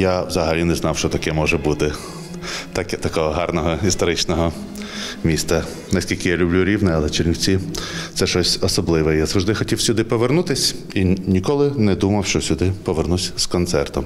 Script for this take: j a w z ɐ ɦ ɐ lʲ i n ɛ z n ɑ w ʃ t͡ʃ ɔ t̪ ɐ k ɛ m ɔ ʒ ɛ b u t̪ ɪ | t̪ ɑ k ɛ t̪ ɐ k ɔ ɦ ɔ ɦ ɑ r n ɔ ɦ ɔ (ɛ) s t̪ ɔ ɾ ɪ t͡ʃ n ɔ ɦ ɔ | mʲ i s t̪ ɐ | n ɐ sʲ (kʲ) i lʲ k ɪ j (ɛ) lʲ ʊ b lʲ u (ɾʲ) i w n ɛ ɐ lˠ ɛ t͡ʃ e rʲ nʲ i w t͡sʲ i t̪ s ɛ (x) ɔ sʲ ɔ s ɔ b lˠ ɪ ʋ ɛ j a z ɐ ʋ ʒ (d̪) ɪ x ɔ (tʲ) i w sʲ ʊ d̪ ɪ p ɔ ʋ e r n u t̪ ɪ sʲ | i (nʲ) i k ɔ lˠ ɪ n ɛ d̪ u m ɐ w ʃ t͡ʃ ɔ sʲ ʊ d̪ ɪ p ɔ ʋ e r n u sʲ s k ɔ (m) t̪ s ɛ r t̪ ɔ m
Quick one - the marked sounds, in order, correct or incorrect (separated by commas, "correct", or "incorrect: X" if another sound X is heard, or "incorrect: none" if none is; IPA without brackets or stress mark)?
incorrect: i, correct, incorrect: a, correct, incorrect: ʃ, correct, correct, correct, incorrect: n